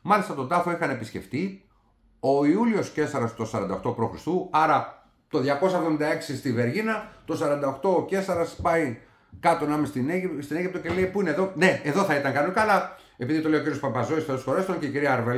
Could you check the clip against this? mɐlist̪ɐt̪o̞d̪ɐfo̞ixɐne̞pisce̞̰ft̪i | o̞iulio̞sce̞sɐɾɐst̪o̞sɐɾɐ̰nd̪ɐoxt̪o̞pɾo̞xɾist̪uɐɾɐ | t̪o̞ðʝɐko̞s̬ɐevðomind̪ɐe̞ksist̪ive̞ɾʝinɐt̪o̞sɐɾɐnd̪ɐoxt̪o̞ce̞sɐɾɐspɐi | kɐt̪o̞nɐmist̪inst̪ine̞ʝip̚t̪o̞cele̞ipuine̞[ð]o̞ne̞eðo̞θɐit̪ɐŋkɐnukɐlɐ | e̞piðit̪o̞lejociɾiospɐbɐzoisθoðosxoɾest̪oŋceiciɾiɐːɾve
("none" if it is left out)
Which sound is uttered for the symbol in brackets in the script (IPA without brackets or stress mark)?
ð